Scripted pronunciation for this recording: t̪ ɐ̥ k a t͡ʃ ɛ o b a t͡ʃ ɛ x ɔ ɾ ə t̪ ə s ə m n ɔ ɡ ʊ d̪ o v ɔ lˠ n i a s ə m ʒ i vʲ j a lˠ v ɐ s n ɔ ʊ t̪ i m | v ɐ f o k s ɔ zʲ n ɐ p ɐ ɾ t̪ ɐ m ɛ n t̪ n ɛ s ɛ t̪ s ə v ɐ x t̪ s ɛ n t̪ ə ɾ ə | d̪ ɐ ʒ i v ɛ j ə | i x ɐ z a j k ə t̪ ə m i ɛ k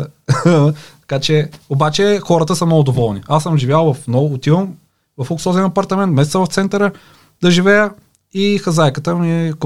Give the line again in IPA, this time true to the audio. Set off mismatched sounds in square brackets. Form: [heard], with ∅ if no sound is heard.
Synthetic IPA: t̪ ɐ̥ k a t͡ʃ ɛ o b a t͡ʃ ɛ x ɔ ɾ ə t̪ ə s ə m n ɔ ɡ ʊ d̪ o v ɔ lˠ n i a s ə m ʒ i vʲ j a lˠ v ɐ [f] n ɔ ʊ t̪ i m | v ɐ f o k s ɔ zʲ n ɐ p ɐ ɾ t̪ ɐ m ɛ n t̪ [m] ɛ s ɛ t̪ s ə v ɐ [f] t̪ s ɛ n t̪ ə ɾ ə | d̪ ɐ ʒ i v ɛ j ə | i x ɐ z a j k ə t̪ ə m i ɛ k